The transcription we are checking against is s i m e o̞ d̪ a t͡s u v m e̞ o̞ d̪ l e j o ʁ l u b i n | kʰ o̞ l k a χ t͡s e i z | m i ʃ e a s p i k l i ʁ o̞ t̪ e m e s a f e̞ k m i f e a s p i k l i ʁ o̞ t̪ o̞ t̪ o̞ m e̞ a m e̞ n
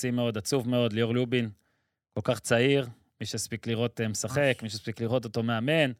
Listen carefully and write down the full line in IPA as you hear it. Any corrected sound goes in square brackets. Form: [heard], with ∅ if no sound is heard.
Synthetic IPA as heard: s i m e o̞ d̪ a t͡s u v m e̞ o̞ d̪ l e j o ʁ l u b i n | [k] o̞ l k a χ t͡s [a] i [ʁ] | m i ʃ e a s p i k l i ʁ o̞ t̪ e m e s a [χ] e̞ k m i [ʃ] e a s p i k l i ʁ o̞ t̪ o̞ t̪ o̞ m e̞ a m e̞ n